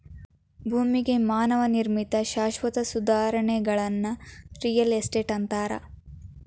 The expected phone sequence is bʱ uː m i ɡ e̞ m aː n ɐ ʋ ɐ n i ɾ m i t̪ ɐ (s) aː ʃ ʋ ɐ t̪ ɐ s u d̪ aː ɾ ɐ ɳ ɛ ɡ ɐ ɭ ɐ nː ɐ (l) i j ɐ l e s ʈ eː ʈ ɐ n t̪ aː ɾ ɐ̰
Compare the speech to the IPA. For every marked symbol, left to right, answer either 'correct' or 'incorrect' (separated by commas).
incorrect, incorrect